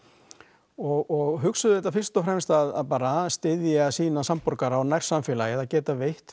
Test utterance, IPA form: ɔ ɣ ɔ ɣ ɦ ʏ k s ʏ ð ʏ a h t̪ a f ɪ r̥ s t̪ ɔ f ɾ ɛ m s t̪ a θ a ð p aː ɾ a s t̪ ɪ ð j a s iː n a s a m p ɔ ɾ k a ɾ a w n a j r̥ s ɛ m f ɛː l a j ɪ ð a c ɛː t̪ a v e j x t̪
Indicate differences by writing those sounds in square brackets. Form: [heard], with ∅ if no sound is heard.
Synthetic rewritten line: ɔ ɣ ɔ ɣ ɦ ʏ k s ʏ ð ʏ [ɛ] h t̪ a f ɪ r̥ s t̪ ɔ f ɾ ɛ m s t̪ a [ð] a ð p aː ɾ a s t̪ ɪ ð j a s iː n a s a m p ɔ ɾ k a ɾ a w n a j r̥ s [a] m f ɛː l a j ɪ ð a c ɛː t̪ a v e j [h] t̪